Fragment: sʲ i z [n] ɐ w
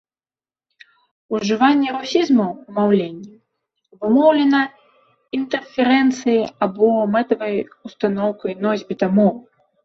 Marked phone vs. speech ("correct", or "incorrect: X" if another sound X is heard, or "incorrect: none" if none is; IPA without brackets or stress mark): incorrect: m